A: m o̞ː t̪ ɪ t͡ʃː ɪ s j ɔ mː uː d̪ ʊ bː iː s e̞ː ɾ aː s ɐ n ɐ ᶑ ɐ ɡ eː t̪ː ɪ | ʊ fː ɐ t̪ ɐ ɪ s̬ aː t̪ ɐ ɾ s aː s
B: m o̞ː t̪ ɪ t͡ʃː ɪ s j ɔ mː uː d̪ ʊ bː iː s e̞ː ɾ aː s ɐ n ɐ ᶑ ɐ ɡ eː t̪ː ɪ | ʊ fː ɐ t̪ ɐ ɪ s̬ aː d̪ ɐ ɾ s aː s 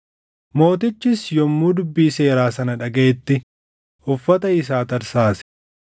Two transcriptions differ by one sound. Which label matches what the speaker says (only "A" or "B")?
A